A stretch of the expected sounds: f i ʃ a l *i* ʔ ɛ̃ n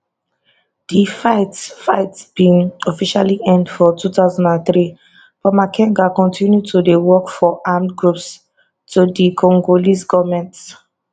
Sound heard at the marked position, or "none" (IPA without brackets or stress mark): i